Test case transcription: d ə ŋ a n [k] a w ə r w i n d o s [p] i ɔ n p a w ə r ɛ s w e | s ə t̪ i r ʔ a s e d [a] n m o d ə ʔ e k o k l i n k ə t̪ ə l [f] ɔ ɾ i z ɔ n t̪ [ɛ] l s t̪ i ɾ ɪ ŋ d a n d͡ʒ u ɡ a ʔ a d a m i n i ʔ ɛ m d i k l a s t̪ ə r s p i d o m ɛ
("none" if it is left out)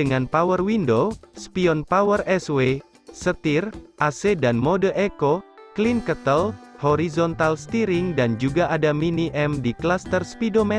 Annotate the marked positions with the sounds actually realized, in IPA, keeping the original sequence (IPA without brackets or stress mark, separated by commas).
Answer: p, p, a, h, a